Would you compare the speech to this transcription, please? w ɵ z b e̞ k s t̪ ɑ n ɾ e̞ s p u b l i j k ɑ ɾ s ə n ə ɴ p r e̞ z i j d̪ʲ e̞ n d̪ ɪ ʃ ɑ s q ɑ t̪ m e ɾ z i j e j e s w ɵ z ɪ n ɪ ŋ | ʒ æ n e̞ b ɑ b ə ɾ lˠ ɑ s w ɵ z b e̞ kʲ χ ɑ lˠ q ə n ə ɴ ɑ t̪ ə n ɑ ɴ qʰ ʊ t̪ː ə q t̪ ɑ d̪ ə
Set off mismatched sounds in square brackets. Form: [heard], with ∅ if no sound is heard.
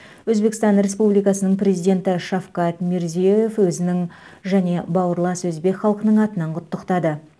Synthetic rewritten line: w ɵ z b e̞ k s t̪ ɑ n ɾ e̞ s p u b l i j k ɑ [∅] s ə n ə ɴ p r e̞ z i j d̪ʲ e̞ n [t̪] ɪ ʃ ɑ [f] q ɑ t̪ m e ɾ z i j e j e [f] w ɵ z ɪ n ɪ ŋ | ʒ æ n e̞ b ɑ [w] ə ɾ lˠ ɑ s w ɵ z b e̞ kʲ χ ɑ lˠ q ə n ə ɴ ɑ t̪ ə n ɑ ɴ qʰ ʊ t̪ː ə q t̪ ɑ d̪ ə